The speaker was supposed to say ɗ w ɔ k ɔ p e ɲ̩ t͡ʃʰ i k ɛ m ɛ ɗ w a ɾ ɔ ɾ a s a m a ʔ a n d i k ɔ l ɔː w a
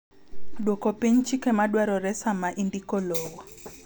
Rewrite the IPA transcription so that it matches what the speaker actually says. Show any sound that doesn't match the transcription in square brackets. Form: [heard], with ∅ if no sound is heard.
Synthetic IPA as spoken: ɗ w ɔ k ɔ p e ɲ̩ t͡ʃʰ i k ɛ m [a] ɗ w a ɾ ɔ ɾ [ɛ] s a m a ʔ [i] n d i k ɔ l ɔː w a